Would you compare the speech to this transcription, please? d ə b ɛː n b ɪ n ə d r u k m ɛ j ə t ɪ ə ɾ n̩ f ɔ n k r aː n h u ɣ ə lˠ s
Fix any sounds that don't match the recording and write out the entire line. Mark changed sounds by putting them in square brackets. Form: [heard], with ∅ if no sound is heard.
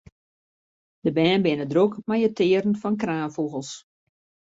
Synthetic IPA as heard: d ə b ɛː n b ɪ n ə d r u k m [a] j ə t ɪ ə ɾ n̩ f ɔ n k r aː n [f] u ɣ ə lˠ s

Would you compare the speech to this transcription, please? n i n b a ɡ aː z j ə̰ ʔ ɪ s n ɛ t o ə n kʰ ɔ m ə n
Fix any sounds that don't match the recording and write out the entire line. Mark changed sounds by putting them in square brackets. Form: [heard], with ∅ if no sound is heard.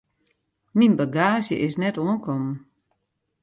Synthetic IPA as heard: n i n b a ɡ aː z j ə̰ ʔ ɪ s n ɛ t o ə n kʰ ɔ m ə n

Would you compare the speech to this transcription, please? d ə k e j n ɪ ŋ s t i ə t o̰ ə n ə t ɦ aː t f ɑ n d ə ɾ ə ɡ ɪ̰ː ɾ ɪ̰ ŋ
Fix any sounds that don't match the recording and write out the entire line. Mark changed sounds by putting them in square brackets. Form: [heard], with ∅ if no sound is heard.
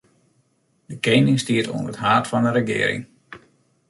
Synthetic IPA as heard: d ə k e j n ɪ ŋ s t i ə t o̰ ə n ə t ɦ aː t f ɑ n d ə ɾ ə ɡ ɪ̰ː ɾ ɪ̰ ŋ

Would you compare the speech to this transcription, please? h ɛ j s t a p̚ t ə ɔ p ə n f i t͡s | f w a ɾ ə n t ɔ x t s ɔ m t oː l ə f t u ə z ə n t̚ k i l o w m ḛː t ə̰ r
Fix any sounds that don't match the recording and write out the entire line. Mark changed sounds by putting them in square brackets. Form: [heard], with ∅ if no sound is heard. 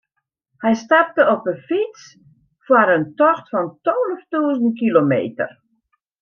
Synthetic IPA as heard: h ɛ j s t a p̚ t ə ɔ p ə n f i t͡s | f w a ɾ ə n t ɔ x t [f] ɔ [n] t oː l ə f t u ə z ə n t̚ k i l o [∅] m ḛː t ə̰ r

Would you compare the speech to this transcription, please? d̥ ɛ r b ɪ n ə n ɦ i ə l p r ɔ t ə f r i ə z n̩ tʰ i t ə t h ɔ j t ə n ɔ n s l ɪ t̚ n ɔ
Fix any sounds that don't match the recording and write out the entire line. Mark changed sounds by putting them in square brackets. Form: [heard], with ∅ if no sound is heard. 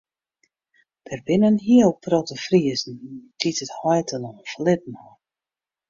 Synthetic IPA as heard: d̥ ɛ r b ɪ n ə n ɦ i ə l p r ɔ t ə f r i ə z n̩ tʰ i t ə t h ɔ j t ə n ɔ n [f] l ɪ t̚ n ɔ

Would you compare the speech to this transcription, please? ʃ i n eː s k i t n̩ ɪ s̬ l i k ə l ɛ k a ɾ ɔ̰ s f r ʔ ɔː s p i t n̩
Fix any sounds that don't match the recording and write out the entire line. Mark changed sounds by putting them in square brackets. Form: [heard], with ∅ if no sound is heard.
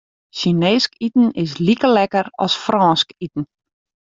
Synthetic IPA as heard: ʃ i n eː s k i t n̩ ɪ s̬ l i k ə l ɛ k [ə] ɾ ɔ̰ s f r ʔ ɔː s [k] i t n̩

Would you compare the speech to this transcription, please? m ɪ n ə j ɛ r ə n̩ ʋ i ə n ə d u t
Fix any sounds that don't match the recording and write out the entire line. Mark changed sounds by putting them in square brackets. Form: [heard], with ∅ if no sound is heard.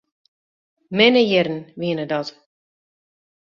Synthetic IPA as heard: m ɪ n ə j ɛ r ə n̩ ʋ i ə n ə d [ɔ] t

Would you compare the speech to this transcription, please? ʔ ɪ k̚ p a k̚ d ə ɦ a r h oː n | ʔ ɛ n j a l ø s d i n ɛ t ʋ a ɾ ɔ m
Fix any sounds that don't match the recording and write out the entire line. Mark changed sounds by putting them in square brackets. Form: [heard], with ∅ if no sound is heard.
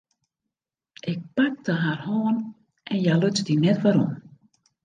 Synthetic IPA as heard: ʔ ɪ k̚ p a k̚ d ə ɦ a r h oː n | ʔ ɛ n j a l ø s d i n ɛ t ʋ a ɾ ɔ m

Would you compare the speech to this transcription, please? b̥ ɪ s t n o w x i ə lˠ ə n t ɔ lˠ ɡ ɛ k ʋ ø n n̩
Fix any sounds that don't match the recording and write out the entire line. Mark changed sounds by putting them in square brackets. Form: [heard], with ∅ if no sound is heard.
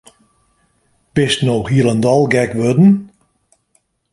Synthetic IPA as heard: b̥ ɪ s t n o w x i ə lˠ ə n [d] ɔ lˠ ɡ ɛ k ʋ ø [d] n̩

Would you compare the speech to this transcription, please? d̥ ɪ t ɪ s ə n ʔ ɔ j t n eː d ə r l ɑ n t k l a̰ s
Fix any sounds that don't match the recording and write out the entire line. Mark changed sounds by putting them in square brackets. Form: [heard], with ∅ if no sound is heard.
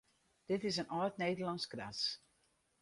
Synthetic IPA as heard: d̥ ɪ t ɪ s ə n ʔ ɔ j t n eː d ə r l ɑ n [s] k [r] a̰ s

